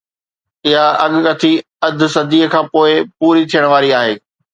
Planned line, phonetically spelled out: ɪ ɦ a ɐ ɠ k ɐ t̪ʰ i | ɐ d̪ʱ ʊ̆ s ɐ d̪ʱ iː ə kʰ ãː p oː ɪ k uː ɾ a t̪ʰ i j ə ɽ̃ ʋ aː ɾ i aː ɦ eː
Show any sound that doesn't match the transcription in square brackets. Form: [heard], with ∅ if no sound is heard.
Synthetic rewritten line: ɪ ɦ a ɐ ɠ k ɐ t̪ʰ i | ɐ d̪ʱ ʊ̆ s ɐ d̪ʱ iː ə kʰ ãː p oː ɪ [p] uː ɾ [i] t̪ʰ i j ə ɽ̃ ʋ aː ɾ i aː ɦ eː